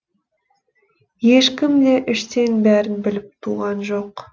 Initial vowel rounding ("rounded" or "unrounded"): unrounded